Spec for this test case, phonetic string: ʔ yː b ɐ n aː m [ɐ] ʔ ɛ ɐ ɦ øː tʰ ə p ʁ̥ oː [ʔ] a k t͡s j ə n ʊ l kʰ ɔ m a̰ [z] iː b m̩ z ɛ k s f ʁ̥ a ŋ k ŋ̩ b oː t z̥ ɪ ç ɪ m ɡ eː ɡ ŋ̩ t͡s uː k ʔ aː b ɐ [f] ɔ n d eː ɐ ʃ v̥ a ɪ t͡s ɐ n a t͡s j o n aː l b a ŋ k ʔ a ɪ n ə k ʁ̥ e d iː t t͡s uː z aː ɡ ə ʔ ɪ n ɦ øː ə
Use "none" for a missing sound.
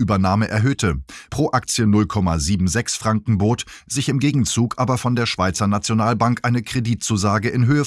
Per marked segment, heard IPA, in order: ə, ʔ, z, f

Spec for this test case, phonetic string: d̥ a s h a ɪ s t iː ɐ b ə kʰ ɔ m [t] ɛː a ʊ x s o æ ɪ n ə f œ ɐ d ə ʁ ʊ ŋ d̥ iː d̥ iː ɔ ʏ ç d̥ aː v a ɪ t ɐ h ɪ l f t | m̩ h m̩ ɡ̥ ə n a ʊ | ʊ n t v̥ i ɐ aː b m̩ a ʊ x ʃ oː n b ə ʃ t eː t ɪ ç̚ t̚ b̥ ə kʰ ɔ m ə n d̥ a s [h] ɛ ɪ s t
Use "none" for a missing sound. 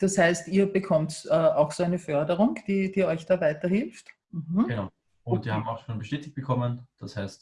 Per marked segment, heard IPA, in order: t, h

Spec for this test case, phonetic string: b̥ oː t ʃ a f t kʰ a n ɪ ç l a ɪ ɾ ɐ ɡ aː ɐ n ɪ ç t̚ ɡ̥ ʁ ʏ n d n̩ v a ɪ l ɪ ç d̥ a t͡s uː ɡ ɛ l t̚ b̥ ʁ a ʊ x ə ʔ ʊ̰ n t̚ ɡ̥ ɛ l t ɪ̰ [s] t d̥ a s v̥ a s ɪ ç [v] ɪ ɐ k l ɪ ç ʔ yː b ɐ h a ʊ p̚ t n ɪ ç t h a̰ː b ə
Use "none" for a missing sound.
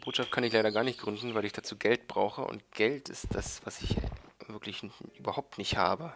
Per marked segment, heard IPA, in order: s, v

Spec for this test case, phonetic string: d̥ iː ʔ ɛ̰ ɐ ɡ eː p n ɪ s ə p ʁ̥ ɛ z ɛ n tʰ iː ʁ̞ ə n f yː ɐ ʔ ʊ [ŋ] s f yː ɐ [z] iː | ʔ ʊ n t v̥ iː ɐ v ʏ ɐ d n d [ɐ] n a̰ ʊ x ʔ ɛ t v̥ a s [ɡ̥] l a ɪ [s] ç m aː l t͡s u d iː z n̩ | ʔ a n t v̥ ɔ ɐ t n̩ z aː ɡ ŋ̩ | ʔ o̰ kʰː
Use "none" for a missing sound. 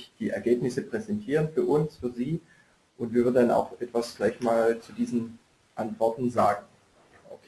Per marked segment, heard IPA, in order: n, z, a, ɡ̥, none

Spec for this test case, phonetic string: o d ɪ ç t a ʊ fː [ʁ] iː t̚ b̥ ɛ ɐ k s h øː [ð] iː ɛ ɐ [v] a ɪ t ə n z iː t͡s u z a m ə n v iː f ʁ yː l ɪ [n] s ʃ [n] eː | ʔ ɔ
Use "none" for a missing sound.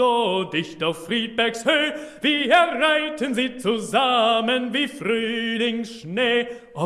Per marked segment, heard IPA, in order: ʁ, v, ʁ, ŋ, n

